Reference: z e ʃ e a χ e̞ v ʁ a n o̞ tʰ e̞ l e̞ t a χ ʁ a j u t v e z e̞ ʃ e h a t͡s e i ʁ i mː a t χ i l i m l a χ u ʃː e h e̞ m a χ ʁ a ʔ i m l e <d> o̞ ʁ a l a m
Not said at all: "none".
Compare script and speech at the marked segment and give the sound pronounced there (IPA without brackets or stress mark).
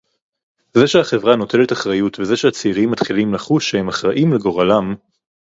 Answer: ɡ